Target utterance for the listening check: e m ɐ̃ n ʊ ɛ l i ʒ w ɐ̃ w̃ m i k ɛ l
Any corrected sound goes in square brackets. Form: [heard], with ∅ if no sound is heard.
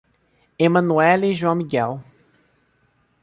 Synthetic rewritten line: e m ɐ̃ n [u] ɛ l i ʒ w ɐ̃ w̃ m i [ɡ] ɛ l